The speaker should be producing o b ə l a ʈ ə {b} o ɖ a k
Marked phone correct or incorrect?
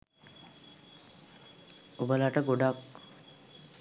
incorrect